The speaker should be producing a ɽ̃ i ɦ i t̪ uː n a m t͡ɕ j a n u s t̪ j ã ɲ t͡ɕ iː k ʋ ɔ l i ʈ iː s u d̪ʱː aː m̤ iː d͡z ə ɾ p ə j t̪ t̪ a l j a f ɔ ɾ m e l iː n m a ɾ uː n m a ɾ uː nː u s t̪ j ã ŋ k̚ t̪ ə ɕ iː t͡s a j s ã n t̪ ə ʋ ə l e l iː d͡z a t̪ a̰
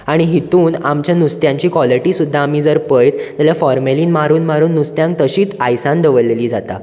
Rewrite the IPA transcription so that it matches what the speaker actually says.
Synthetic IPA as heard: a ɽ̃ i ɦ i t̪ uː n a m t͡ɕ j a n u s t̪ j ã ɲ t͡ɕ iː k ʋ ɔ l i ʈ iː s u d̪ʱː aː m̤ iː d͡z ə ɾ p ə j t̪ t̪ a l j a f ɔ ɾ m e l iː n m a ɾ uː n m a ɾ uː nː u s t̪ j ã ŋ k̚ t̪ ə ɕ iː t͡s a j s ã n d̪ ə ʋ ə l e l iː d͡z a t̪ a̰